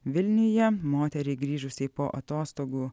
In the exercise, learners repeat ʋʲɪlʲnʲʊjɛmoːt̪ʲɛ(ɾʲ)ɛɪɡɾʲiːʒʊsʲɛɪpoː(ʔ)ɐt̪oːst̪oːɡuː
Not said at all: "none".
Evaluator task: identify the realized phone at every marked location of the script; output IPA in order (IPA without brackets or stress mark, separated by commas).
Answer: ɾʲ, ʔ